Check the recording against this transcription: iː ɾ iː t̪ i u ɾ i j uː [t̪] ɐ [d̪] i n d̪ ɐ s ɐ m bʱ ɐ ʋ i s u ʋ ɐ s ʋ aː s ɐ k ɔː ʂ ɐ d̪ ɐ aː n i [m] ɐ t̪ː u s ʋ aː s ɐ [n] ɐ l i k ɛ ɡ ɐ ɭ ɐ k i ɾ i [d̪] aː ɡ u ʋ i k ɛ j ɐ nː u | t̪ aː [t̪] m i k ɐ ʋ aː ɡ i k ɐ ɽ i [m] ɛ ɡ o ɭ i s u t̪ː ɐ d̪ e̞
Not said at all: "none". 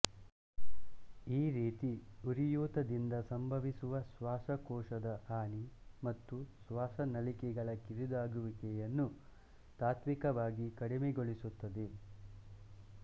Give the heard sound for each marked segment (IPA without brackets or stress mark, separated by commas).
t̪, d̪, m, n, d̪, t̪, m